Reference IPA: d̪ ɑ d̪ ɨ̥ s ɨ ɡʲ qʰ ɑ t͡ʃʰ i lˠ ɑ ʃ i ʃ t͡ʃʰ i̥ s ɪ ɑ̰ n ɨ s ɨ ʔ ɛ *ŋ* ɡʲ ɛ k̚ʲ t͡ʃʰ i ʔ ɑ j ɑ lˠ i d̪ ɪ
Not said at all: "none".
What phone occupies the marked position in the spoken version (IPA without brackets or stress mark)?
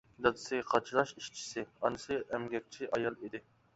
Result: m